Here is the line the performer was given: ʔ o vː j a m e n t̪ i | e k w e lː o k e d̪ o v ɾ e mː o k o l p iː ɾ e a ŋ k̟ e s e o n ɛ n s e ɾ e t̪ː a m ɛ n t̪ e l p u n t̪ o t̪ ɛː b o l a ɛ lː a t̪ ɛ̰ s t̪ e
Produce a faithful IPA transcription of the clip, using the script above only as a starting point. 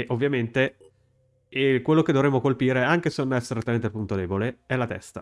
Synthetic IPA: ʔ o vː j a m e n t̪ e | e k w e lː o k e d̪ o v ɾ e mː o k o l p iː ɾ e a ŋ k̟ e s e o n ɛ s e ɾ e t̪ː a m e n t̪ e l p u n t̪ o d̪ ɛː b o l e ɛ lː a t̪ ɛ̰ s t̪ a